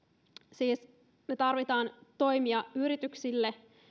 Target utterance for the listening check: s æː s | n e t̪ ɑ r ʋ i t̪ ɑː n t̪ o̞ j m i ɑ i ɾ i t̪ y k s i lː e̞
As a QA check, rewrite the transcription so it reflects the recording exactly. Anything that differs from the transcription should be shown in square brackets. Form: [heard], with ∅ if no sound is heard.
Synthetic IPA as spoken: s [iː] s | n e t̪ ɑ r ʋ i t̪ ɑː n t̪ o̞ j m i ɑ [y] ɾ i t̪ y k s i lː e̞